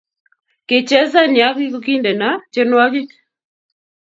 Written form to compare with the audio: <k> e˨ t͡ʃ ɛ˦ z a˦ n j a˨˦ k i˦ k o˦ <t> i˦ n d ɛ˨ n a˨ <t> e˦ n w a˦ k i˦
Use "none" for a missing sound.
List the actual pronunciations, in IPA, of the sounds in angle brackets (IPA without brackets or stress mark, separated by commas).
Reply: k, k, t͡ʃ